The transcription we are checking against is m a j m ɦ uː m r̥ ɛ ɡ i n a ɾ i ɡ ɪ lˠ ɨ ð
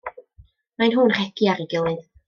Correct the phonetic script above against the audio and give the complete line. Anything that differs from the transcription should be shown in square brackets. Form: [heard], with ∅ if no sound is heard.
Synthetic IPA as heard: m a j [n] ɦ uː [n] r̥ ɛ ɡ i [∅] a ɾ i ɡ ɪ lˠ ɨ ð